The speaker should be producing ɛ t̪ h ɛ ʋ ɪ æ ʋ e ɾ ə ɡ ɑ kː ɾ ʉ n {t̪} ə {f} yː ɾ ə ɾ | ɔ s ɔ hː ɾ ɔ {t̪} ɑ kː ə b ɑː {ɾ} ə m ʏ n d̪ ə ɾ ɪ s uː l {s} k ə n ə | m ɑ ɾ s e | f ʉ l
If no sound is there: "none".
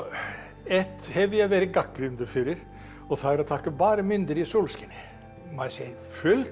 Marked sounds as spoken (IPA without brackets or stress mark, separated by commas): d̪, f, t̪ʰ, ɾ, s